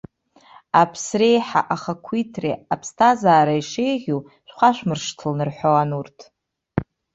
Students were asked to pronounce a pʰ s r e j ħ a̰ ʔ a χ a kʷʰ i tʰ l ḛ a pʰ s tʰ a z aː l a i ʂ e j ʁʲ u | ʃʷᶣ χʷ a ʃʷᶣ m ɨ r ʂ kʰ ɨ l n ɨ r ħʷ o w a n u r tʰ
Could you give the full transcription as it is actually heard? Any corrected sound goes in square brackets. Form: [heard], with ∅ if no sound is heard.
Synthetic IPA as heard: a pʰ s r e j ħ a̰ ʔ a χ a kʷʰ i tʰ [r] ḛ a pʰ s tʰ a z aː [ɾ] a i ʂ e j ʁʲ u | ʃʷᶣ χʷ a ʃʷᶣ m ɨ r ʂ [tʰ] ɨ l n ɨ r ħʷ o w a n u r tʰ